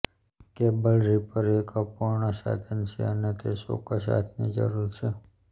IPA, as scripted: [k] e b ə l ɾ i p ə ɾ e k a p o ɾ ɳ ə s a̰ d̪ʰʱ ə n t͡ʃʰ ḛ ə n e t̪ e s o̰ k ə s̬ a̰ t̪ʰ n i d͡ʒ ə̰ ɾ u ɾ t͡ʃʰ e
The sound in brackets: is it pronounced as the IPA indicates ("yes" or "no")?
yes